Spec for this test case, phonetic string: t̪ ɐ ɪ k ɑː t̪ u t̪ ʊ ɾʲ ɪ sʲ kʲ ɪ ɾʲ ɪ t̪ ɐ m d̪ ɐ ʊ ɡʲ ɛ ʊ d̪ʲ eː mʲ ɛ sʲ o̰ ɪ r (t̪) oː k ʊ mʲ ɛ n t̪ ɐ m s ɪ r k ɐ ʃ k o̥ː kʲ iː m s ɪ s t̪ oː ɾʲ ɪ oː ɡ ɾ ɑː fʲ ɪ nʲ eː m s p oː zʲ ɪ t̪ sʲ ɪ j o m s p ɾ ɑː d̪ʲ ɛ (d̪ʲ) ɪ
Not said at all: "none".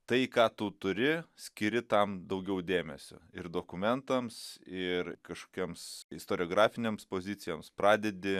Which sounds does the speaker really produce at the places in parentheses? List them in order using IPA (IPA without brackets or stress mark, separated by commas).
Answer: d̪, d̪ʲ